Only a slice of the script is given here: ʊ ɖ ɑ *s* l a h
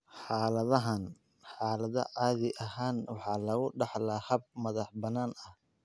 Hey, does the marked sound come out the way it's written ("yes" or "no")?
no